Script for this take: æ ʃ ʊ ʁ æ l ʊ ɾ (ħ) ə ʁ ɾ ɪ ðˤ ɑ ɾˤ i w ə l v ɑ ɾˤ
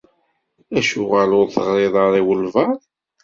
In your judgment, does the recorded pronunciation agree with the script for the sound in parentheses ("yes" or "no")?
no